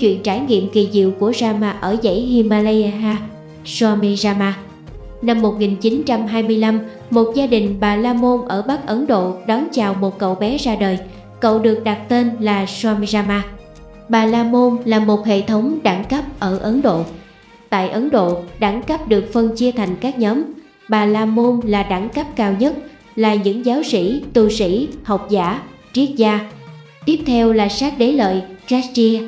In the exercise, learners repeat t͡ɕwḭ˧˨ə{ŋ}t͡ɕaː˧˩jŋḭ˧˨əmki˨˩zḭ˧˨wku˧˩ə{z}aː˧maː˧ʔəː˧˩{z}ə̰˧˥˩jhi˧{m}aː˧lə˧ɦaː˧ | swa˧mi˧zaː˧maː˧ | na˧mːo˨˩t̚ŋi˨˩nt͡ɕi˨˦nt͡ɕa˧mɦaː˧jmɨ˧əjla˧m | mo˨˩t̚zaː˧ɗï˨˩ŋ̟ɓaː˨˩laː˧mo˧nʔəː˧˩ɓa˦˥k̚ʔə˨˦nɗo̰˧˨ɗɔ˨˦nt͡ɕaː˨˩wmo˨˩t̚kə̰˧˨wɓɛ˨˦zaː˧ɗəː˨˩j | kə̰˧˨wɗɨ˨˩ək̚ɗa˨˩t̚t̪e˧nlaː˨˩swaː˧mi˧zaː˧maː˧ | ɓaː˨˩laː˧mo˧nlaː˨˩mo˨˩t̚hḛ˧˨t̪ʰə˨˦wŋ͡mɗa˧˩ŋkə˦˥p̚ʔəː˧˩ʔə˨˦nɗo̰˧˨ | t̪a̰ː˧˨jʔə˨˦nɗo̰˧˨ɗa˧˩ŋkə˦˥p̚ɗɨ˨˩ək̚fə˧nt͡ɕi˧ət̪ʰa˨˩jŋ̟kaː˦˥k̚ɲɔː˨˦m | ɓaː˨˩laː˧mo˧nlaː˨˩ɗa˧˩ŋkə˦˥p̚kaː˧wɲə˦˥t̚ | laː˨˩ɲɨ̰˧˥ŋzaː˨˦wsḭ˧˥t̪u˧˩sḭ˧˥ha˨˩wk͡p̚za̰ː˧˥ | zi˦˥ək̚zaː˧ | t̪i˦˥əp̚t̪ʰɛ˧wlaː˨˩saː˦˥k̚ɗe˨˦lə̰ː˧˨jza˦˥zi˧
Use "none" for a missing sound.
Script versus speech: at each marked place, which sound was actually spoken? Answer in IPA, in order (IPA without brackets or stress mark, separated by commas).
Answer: n, z, z, m